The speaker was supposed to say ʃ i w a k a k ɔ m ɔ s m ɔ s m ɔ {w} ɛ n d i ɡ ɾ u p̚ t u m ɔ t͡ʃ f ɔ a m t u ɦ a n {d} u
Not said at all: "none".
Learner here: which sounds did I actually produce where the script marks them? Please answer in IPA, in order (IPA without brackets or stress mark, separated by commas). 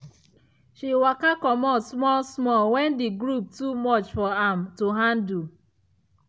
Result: w, d